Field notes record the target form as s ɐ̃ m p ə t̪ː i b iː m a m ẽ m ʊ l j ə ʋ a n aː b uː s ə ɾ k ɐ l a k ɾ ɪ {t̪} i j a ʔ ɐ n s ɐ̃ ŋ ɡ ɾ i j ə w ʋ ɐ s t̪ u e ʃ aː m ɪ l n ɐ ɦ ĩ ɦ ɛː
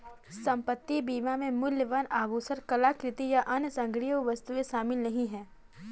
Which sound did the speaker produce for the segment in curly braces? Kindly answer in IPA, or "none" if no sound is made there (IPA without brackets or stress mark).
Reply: t̪